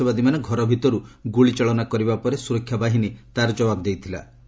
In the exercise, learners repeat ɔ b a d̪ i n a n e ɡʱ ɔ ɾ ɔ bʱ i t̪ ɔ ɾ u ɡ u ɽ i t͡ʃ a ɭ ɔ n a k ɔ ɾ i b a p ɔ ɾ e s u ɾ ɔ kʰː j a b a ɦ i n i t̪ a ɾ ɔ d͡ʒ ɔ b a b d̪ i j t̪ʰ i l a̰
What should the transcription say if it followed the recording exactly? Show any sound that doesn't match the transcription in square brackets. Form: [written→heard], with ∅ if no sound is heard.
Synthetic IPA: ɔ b a d̪ i [n→m] a n e ɡʱ ɔ ɾ ɔ bʱ i t̪ ɔ ɾ u ɡ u [ɽ→ɭ] i t͡ʃ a ɭ ɔ n a k ɔ ɾ i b a p ɔ ɾ e s u ɾ ɔ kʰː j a b a ɦ i n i t̪ a ɾ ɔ d͡ʒ ɔ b a b d̪ [i→e] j t̪ʰ i l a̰